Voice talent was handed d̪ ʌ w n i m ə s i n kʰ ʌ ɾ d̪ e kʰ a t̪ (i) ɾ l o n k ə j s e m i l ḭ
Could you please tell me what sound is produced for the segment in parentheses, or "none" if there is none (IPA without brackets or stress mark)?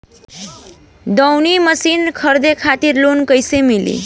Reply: i